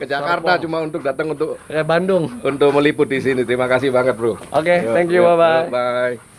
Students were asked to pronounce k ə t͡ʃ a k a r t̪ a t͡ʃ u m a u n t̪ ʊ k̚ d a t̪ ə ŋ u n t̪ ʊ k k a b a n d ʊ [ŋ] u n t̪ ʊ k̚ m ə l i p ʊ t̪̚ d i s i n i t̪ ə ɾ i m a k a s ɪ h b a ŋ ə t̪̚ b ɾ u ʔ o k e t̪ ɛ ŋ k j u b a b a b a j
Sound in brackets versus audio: correct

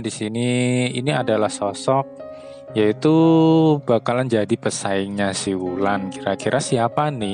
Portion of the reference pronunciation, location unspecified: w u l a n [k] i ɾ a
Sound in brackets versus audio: correct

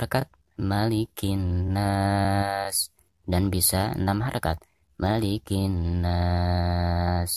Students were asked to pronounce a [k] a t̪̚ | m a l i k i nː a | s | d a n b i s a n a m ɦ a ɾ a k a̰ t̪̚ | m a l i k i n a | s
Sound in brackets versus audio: correct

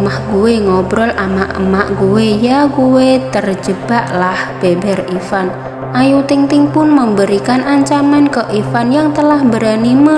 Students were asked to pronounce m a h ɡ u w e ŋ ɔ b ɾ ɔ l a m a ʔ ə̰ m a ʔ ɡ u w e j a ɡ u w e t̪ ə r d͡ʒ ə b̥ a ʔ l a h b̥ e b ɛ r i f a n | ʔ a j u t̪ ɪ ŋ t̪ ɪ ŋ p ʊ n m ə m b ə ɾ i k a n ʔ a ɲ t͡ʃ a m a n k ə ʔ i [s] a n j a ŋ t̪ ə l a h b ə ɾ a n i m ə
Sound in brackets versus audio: incorrect: f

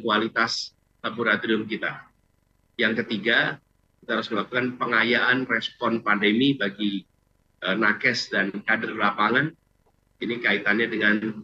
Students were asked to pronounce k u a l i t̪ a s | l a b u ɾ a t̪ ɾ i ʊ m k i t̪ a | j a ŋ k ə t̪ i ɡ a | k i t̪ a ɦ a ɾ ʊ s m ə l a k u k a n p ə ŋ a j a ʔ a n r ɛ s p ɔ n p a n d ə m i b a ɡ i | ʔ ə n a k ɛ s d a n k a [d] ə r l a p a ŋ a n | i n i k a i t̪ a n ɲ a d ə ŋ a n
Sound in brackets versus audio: correct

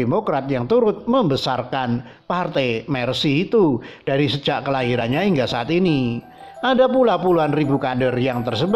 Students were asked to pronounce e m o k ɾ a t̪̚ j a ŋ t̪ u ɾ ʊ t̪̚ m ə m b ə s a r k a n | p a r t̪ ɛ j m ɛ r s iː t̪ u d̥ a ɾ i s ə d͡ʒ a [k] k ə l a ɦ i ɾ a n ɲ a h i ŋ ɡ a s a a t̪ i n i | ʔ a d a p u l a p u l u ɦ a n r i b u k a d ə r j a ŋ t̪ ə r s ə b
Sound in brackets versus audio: incorrect: ʔ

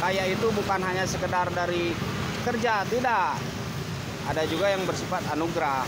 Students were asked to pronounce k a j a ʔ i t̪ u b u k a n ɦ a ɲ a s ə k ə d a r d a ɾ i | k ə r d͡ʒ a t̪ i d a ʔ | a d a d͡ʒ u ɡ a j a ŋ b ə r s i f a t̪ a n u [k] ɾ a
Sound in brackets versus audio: incorrect: ɡ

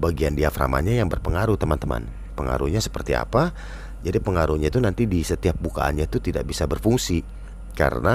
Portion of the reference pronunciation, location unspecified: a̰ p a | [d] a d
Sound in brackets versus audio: incorrect: d͡ʒ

